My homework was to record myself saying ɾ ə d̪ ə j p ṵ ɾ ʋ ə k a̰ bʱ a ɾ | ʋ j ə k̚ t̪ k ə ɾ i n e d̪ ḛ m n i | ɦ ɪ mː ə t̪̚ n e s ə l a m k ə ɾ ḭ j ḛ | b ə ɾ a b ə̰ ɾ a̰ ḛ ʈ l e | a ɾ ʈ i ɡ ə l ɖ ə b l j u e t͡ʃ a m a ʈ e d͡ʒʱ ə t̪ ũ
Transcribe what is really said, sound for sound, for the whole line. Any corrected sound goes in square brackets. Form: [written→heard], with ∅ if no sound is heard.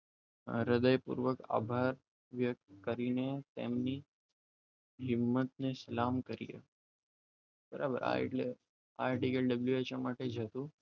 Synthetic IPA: ɾ ə d̪ ə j p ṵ ɾ ʋ ə k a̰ bʱ a ɾ | ʋ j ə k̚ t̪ k ə ɾ i n e [d̪→t̪] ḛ m n i | ɦ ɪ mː ə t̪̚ n e s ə l a m k ə ɾ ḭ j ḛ | b ə ɾ a b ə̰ ɾ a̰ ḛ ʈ l e | a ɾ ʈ i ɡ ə l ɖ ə b l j u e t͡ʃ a m a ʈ e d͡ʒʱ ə t̪ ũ